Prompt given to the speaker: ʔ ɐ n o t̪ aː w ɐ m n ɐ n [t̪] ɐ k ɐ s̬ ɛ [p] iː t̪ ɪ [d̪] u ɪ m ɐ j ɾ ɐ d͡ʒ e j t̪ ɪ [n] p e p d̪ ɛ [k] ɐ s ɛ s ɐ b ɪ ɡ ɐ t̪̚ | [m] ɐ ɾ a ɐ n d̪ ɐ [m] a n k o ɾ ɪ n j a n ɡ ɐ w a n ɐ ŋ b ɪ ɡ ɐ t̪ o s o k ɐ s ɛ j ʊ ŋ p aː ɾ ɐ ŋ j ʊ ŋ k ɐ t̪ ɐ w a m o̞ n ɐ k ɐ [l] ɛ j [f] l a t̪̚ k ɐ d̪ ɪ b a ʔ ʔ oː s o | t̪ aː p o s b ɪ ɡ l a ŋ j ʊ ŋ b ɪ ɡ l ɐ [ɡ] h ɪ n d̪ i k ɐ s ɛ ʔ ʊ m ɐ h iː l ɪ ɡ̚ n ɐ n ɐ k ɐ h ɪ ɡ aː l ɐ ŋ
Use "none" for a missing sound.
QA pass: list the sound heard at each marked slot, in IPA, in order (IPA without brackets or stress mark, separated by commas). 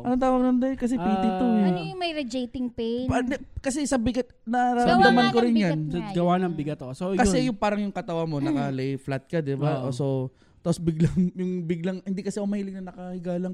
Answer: d̪, p, t̪, ŋ, k, n, m, l, f, ŋ